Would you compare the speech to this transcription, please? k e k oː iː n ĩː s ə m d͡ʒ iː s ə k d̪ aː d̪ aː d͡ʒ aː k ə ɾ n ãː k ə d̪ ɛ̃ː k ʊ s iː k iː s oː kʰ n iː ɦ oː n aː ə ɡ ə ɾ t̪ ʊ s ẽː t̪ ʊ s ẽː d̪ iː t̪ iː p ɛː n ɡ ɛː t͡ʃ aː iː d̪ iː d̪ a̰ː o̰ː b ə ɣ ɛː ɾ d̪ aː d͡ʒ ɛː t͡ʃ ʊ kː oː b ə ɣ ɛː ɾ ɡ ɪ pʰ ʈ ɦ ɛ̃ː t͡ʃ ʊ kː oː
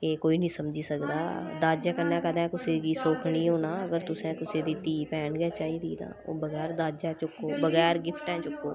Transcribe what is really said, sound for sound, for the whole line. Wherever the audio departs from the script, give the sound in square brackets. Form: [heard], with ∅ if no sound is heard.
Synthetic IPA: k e k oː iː n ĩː s ə m d͡ʒ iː s ə k d̪ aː d̪ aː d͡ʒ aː k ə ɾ n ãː k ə d̪ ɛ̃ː k ʊ s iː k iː s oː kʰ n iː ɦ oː n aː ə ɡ ə ɾ t̪ ʊ s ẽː t̪ ʊ s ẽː d̪ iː t̪ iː p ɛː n ɡ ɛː t͡ʃ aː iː d̪ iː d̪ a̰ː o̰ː b ə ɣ ɛː ɾ d̪ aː d͡ʒ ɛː t͡ʃ ʊ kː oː b ə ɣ ɛː ɾ ɡ ɪ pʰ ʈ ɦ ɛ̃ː t͡ʃ ʊ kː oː